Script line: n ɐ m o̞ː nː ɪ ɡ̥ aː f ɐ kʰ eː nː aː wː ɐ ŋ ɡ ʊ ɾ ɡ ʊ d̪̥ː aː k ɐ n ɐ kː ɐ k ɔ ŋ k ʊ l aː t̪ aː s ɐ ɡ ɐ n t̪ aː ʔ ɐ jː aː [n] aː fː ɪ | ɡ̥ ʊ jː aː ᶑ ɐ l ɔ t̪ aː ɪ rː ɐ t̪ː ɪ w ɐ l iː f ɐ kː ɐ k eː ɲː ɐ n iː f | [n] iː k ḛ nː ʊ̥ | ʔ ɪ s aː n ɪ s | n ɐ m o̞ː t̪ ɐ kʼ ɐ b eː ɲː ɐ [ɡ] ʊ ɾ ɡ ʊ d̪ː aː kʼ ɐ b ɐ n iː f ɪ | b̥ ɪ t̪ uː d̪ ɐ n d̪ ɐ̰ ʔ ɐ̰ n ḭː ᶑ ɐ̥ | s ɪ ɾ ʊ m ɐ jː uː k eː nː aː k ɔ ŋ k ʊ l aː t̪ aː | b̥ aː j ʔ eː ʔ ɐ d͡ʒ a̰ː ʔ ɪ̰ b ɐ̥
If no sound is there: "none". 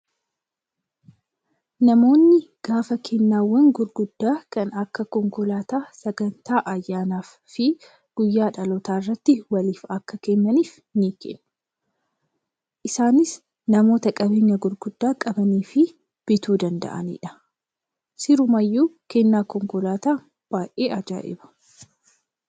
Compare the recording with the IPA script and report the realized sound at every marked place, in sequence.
n, n, ɡ

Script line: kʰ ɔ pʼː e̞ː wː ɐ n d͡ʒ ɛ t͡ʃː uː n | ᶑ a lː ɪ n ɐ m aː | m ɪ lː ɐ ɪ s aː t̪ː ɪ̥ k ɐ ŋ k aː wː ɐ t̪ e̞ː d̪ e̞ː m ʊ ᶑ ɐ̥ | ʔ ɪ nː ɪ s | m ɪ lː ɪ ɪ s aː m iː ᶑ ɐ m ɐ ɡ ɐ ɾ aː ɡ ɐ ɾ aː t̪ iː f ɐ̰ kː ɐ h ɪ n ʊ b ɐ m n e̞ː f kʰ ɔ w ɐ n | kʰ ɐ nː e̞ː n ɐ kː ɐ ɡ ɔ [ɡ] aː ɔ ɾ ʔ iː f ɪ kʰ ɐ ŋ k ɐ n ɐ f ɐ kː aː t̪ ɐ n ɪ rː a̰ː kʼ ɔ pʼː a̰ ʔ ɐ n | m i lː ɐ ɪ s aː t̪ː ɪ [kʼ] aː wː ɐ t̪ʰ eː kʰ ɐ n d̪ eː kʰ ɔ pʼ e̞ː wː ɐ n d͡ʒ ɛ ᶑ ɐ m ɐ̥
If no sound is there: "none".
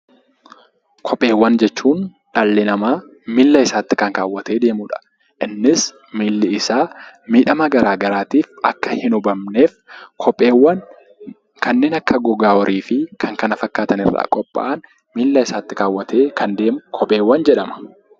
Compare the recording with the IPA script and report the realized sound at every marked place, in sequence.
ɡ, k

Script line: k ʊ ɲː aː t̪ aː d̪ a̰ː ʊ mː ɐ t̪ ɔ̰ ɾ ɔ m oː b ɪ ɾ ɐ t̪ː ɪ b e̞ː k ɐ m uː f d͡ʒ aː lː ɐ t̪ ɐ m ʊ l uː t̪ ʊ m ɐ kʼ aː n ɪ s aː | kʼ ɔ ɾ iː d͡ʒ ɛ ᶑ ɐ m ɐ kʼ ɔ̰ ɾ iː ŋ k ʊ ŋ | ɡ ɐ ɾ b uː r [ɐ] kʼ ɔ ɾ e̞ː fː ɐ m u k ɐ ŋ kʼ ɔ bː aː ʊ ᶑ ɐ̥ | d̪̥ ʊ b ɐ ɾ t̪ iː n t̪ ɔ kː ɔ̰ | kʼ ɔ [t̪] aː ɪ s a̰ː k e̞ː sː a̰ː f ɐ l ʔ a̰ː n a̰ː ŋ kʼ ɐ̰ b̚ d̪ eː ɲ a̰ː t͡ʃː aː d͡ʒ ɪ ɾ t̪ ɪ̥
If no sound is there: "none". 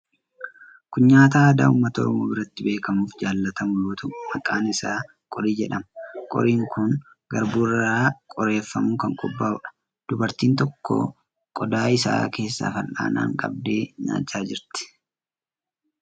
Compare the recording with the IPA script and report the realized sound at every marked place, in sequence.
a, d̪

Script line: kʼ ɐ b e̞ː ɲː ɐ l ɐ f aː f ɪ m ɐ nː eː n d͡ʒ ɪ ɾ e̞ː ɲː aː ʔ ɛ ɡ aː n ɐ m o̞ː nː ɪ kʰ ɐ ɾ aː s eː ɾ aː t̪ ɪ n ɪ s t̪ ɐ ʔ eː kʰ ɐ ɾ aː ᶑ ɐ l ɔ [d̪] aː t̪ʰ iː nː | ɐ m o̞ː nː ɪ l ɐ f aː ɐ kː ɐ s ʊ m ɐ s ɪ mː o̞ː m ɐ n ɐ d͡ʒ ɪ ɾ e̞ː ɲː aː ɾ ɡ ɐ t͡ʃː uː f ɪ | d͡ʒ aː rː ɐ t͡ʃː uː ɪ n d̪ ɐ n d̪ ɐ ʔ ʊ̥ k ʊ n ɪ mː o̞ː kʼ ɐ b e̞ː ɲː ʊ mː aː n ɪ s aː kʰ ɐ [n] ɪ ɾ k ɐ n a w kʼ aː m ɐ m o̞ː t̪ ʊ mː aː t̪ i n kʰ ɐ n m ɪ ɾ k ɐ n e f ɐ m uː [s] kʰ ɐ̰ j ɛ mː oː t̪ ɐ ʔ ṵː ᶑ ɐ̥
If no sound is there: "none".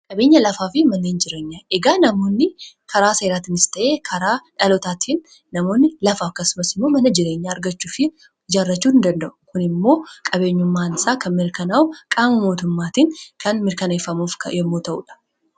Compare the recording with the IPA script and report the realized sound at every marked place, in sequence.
t̪, m, f

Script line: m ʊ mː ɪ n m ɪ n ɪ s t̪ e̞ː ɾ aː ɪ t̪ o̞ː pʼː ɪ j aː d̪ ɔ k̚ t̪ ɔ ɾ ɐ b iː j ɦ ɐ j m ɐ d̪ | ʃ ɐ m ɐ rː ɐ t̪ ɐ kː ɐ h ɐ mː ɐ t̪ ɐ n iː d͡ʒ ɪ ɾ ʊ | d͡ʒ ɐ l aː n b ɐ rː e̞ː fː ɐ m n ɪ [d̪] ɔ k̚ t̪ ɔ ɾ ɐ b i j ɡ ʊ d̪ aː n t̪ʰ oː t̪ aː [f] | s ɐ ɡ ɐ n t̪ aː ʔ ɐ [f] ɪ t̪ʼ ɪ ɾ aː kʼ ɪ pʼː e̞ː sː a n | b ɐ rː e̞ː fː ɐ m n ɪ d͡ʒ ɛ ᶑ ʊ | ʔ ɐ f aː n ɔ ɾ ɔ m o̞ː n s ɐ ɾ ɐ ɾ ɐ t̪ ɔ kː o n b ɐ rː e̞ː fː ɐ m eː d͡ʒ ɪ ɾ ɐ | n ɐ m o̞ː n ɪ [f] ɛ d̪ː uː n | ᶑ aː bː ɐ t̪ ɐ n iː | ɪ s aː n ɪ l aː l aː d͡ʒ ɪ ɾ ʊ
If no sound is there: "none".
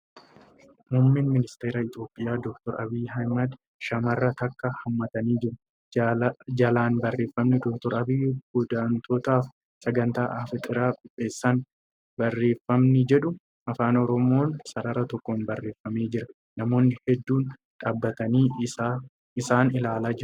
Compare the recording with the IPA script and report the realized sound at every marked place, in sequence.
d̪, f, f, h

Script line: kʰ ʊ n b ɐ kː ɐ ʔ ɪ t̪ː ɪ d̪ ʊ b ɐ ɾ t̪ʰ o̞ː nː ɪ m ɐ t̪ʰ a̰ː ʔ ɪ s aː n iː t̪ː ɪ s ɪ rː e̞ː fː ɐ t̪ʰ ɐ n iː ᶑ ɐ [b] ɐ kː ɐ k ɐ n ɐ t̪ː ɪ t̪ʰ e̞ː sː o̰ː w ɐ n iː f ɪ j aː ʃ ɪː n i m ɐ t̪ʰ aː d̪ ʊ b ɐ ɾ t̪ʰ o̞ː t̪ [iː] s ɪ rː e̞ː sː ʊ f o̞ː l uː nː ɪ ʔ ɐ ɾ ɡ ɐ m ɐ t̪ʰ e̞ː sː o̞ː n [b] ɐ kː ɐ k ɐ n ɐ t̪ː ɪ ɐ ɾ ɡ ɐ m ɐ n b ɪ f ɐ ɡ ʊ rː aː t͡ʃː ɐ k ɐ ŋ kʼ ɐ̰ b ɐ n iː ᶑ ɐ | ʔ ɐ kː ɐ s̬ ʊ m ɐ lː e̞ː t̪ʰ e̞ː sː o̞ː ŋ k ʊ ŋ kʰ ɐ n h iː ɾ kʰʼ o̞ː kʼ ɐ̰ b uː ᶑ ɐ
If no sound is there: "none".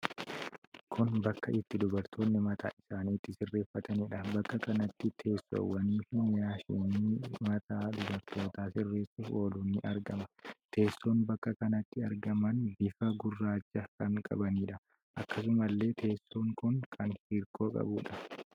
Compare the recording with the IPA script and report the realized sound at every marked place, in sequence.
b, aː, b

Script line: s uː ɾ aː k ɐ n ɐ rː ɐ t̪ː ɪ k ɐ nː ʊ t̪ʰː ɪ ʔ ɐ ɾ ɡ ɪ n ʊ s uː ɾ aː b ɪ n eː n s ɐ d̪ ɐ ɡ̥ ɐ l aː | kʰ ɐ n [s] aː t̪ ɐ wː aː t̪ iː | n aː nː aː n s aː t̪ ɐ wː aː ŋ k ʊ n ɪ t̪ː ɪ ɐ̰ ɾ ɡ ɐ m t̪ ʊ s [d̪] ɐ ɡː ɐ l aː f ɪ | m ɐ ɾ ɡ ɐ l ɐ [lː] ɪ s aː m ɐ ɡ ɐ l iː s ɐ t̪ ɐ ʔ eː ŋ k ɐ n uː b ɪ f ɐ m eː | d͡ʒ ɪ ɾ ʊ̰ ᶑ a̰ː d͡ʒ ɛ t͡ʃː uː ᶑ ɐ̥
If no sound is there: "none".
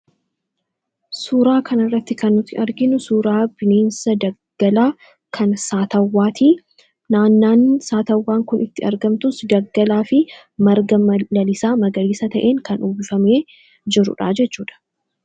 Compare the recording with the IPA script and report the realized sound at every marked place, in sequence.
s, d̪, l

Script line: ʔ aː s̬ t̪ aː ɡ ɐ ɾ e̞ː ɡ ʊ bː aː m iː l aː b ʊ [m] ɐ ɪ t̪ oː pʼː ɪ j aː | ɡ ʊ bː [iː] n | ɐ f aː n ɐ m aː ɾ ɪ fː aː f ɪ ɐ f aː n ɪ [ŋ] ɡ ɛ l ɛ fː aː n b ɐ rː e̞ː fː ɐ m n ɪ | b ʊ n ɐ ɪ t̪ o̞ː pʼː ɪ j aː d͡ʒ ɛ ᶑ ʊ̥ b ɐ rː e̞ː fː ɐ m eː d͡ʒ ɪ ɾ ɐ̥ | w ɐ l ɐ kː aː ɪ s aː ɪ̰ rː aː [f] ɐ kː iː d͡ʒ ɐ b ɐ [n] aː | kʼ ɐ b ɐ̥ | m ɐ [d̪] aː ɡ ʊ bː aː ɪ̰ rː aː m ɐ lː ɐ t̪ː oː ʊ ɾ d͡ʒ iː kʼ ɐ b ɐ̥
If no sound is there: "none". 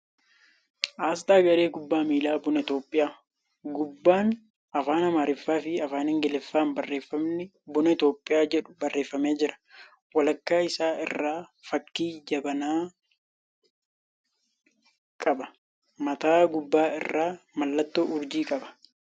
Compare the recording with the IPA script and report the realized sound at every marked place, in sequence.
n, aː, ŋ, f, n, t̪

